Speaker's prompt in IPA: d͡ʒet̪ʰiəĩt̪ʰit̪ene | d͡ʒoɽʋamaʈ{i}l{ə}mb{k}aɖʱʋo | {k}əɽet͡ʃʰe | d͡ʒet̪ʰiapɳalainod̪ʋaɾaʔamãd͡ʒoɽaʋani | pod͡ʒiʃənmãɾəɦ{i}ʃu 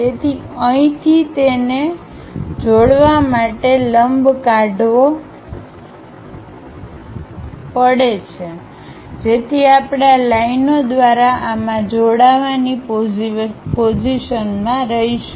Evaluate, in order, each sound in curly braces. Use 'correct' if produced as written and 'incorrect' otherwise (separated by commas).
incorrect, correct, correct, incorrect, correct